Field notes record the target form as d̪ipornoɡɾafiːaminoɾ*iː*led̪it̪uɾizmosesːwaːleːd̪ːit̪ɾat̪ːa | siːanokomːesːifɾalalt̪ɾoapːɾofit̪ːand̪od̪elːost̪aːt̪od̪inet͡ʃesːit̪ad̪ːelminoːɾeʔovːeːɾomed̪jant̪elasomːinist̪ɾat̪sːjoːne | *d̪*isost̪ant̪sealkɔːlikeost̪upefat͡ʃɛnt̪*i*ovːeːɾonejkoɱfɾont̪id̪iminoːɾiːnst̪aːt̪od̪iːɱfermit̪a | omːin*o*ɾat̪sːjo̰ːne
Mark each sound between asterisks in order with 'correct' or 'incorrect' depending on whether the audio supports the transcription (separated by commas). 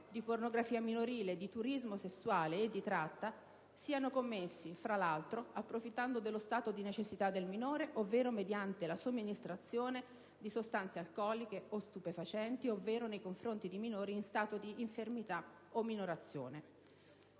correct, correct, correct, correct